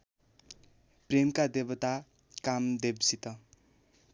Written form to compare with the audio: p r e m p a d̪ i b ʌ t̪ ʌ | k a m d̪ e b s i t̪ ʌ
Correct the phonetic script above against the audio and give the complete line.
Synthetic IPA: p r e m k a d̪ e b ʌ t̪ a | k a m d̪ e b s i t̪ ʌ

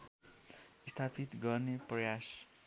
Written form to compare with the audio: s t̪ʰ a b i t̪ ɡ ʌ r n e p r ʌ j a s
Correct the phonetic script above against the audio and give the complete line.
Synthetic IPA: s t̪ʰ a p i t̪ ɡ ʌ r n e p r ʌ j a s

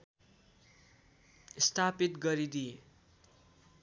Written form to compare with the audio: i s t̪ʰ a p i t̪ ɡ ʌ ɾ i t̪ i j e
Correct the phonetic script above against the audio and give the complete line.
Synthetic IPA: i s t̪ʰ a p i t̪ ɡ ʌ ɾ i d̪ i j e

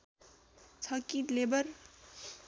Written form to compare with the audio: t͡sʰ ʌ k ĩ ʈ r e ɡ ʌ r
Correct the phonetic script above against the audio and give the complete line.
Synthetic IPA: t͡sʰ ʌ k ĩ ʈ l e b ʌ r

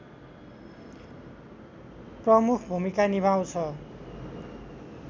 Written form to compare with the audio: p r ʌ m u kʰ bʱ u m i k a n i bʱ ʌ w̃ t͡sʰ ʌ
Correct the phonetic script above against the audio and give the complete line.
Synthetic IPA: p r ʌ m u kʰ bʱ u m i k a n i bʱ a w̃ t͡sʰ ʌ

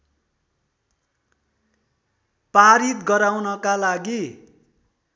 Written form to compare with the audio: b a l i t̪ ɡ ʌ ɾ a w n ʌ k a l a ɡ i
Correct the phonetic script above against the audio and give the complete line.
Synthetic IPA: p a ɾ i t̪ ɡ ʌ ɾ a w n ʌ k a l a ɡ i

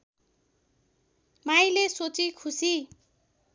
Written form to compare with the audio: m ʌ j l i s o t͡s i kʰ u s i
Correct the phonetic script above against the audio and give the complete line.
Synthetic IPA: m a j l e s o t͡s i kʰ u s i

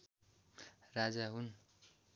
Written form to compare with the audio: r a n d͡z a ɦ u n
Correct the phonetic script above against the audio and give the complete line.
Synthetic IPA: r a d͡z a ɦ u n

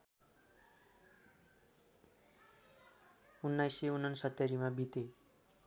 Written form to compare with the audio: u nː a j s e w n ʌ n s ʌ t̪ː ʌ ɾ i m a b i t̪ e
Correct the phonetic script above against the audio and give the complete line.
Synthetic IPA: u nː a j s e u n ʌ n s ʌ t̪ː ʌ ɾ i m a b i t̪ e

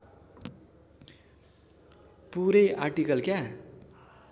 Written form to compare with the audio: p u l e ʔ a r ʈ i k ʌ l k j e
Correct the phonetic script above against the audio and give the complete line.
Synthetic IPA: p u ɾ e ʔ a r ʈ i k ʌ l k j a

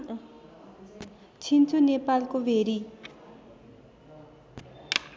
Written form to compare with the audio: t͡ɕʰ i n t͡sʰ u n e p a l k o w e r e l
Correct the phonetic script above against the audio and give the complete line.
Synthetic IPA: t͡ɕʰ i n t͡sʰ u n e p a l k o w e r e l

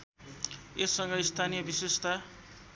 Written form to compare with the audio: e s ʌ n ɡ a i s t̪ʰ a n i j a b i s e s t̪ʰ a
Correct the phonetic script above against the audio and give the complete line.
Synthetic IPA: e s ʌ ŋ ɡ ʌ i s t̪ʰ a n i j ʌ b i s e s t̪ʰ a

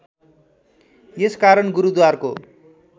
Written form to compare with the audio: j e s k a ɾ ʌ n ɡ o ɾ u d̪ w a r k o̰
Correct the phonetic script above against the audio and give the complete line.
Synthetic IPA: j e s k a ɾ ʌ n ɡ u ɾ u d̪ w a r k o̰

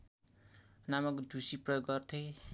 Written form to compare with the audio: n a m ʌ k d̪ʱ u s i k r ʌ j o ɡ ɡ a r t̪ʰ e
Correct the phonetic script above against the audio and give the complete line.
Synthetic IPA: n a m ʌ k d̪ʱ u s i p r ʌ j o ɡ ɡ ʌ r t̪ʰ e

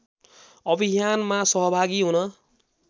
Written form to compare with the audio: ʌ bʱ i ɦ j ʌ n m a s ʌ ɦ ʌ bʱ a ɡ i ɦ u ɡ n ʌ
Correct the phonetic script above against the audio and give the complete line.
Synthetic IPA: ʌ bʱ i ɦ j a n m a s ʌ ɦ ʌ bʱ a ɡ i ɦ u n ʌ

